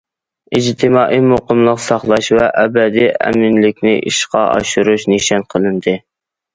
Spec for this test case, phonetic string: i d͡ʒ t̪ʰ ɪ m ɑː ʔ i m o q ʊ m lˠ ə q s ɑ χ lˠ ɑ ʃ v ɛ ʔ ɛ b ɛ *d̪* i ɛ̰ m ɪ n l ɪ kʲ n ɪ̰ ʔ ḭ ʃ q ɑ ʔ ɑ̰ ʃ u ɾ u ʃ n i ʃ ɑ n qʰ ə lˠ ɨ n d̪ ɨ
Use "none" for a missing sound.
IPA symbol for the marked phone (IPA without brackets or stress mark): d̪